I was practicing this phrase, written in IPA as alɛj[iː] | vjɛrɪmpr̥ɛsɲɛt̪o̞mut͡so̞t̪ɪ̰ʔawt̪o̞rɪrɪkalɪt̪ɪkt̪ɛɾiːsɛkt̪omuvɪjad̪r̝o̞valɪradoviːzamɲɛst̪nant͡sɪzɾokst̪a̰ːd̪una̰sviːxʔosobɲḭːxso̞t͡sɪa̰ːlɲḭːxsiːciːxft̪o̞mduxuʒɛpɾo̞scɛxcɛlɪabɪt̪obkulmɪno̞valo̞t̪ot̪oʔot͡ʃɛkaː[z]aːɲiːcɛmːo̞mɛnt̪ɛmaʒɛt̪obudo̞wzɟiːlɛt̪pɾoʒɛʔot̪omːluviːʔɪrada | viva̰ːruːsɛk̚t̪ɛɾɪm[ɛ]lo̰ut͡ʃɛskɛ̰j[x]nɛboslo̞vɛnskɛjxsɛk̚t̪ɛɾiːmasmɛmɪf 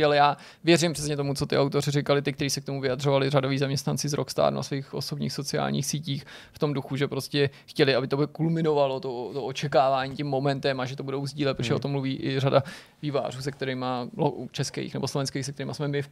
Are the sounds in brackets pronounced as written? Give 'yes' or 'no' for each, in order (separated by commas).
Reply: no, no, no, yes